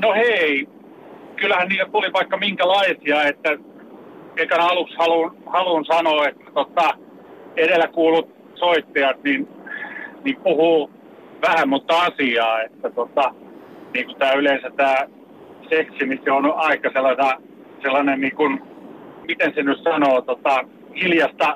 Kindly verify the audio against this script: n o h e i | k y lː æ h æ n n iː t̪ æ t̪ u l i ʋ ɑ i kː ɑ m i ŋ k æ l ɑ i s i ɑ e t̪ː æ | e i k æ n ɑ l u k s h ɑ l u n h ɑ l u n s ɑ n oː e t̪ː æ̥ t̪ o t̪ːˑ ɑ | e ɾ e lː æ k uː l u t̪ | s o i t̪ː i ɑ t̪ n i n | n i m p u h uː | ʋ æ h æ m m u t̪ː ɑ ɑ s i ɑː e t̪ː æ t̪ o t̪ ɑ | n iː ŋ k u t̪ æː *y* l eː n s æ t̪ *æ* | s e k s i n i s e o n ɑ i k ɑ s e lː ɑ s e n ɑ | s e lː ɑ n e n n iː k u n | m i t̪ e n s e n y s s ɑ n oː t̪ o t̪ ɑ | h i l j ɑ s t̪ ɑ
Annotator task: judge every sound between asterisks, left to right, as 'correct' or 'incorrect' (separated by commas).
correct, incorrect